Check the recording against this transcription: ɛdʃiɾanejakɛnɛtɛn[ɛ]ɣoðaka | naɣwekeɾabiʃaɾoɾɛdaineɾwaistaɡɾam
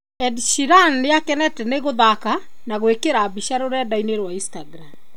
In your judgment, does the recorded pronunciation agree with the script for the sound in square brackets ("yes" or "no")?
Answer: no